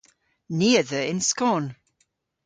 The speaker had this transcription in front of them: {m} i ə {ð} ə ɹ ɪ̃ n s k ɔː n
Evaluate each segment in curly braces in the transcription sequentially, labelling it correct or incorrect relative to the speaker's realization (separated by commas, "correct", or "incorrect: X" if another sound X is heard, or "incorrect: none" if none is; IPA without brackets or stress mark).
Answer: incorrect: n, correct